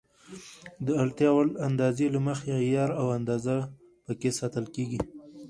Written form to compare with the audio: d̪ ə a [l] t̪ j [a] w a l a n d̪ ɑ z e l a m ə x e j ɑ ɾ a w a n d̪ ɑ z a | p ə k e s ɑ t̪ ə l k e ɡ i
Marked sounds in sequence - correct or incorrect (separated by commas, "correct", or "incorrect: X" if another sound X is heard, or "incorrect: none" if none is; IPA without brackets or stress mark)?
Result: correct, incorrect: ɑ